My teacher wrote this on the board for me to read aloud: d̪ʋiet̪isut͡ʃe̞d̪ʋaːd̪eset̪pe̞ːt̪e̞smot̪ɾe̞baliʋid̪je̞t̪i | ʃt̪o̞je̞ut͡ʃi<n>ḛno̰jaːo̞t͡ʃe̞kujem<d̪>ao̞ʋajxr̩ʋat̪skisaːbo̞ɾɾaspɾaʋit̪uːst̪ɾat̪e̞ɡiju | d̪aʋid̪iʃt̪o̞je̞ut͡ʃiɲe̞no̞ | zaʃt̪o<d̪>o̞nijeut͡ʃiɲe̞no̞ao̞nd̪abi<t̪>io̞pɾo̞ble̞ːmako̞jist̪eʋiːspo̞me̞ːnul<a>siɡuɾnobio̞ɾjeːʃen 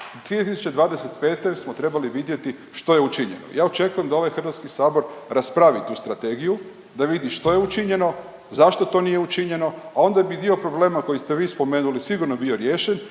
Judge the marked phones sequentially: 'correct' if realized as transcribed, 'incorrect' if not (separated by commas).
incorrect, correct, incorrect, incorrect, incorrect